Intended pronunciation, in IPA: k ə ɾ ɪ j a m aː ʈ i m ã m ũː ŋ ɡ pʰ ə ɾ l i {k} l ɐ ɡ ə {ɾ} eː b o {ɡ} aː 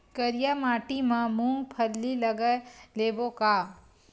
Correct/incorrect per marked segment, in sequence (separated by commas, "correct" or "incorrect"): incorrect, incorrect, incorrect